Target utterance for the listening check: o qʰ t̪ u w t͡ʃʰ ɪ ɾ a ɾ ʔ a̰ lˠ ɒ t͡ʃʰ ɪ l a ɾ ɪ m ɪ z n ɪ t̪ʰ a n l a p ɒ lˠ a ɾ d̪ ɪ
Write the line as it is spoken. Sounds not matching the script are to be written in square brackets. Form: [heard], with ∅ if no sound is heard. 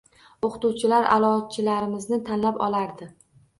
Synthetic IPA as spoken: o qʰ t̪ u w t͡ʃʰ ɪ [l] a ɾ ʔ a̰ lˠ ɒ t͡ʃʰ ɪ l a ɾ ɪ m ɪ z n ɪ t̪ʰ a n l a p ɒ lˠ a ɾ d̪ ɪ